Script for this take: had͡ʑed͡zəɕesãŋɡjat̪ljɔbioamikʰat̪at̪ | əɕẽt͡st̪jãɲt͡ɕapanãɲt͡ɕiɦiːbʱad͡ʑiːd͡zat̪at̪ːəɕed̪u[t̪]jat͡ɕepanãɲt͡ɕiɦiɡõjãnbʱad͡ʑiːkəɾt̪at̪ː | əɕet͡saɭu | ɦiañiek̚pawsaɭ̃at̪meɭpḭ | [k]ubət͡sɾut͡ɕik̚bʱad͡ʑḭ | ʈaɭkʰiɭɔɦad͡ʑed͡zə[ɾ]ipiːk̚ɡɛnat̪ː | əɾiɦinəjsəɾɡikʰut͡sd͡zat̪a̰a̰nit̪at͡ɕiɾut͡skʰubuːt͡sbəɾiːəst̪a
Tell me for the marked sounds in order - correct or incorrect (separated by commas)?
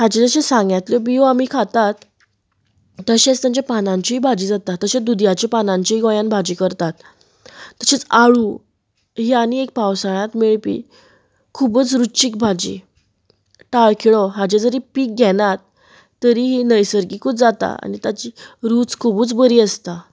incorrect, incorrect, correct